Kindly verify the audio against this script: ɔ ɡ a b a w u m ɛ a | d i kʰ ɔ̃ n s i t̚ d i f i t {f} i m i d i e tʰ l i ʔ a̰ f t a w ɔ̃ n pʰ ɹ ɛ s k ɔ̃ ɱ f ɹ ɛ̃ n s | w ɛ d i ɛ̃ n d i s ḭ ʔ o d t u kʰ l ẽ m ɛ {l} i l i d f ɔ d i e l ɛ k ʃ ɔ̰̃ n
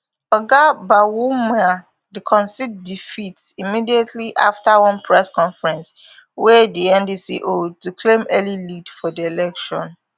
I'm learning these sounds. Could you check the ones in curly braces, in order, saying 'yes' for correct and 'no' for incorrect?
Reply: no, yes

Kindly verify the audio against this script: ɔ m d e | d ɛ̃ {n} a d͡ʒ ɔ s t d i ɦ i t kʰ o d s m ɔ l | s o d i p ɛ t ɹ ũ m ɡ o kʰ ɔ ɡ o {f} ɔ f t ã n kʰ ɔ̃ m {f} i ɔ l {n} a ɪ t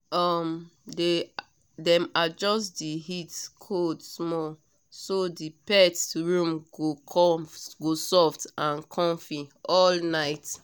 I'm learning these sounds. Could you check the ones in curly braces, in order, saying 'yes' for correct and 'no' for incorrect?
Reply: no, no, yes, yes

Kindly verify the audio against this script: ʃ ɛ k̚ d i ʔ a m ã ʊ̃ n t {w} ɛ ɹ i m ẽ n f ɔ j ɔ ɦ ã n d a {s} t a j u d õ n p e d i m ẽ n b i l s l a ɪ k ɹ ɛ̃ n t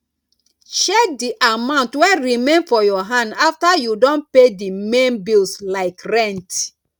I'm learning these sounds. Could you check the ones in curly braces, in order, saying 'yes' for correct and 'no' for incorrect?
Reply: yes, no

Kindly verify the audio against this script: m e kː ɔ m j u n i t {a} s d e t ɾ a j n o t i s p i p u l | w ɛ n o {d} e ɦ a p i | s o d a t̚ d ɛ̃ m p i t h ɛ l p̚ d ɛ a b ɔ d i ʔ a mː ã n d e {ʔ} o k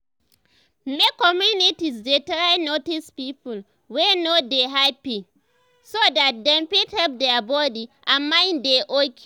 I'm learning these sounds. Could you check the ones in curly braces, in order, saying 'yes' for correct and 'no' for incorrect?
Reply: no, yes, yes

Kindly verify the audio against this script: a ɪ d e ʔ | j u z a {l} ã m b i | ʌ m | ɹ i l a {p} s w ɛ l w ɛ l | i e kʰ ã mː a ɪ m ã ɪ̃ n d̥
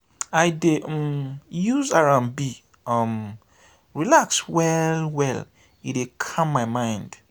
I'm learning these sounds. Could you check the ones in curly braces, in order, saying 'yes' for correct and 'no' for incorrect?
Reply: no, no

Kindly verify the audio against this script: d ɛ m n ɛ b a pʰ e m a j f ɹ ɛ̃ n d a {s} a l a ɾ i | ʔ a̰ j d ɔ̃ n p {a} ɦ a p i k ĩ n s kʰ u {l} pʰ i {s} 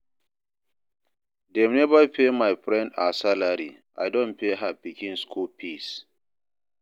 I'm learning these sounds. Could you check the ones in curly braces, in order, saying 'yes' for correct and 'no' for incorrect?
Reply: yes, no, yes, yes

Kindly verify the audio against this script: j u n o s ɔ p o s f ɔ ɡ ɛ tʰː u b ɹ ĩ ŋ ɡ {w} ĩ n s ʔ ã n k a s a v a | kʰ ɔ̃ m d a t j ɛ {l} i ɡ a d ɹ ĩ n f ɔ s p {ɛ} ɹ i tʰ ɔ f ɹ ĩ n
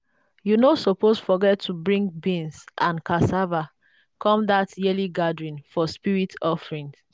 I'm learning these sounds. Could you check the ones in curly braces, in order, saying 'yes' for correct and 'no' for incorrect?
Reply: no, yes, no

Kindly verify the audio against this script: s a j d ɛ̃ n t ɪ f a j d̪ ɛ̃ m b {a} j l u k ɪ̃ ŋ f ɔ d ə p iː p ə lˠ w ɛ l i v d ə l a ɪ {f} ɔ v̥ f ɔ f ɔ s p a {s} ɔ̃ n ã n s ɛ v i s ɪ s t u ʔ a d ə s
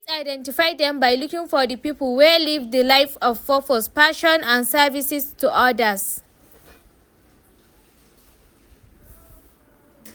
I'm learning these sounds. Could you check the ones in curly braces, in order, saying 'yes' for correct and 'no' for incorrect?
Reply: yes, yes, no

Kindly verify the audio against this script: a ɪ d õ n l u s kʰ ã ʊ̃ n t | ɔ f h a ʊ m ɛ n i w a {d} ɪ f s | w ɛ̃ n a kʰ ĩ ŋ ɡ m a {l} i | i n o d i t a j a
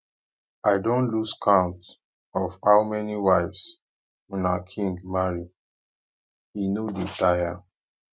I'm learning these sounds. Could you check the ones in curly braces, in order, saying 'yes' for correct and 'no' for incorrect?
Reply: no, no

